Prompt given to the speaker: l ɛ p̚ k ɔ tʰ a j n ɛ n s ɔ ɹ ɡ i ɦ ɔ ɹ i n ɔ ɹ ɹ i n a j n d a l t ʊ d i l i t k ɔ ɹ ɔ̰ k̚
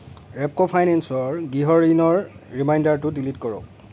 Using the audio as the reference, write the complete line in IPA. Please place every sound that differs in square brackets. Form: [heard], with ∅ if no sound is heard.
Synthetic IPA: [ɹ] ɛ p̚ k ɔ [pʰ] a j n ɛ n s ɔ ɹ ɡ i ɦ ɔ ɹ i n ɔ ɹ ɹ i [m] a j n d a [ɹ] t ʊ d i l i t k ɔ ɹ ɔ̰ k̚